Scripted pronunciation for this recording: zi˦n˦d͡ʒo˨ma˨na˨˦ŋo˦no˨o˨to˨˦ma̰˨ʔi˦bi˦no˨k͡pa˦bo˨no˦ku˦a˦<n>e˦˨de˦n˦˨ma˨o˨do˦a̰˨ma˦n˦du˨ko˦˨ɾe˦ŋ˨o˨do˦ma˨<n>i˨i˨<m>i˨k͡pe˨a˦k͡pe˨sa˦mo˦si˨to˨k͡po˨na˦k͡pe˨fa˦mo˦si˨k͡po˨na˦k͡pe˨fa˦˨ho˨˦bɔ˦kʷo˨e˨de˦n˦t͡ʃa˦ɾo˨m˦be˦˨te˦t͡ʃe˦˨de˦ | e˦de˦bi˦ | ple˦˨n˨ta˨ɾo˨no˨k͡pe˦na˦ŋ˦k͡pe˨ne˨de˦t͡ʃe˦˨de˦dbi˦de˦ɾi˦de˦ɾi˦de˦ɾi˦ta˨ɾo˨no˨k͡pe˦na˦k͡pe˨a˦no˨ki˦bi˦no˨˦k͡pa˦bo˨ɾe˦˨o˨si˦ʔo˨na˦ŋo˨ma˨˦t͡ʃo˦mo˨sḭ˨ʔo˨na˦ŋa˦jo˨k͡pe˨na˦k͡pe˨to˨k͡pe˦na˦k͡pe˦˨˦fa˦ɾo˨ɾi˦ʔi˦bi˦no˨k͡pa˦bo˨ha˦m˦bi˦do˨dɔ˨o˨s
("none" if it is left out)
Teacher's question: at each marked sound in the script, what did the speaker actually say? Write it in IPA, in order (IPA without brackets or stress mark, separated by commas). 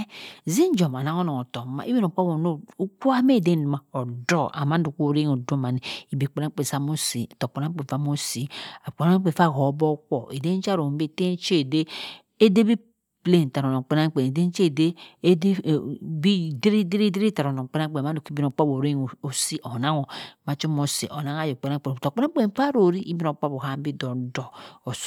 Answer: m, n, b